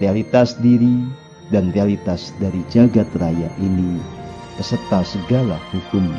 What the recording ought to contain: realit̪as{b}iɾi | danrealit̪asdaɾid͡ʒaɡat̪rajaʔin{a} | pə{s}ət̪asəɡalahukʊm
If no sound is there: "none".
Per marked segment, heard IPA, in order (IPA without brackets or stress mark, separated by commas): d, i, s